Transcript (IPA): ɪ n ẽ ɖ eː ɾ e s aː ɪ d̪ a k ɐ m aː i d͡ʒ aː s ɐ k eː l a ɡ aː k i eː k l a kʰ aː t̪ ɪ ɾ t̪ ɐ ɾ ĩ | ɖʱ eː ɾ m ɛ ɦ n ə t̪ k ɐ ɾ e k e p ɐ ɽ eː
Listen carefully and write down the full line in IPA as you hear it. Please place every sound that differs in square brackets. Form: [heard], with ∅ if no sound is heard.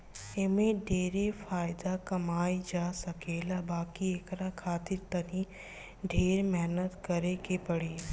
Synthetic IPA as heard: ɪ [m] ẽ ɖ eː ɾ e [f] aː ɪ d̪ a k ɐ m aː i d͡ʒ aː s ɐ k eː l a [b] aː k i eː k [ɾ] a kʰ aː t̪ ɪ ɾ t̪ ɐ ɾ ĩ | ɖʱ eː ɾ m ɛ ɦ n ə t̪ k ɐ ɾ e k e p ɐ ɽ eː